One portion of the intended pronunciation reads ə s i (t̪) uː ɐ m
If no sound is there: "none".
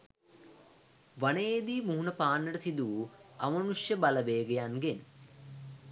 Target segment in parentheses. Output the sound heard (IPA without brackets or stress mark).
d̪